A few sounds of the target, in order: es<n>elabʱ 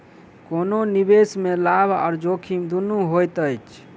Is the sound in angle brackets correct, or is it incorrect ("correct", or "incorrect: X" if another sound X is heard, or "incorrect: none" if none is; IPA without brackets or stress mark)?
incorrect: m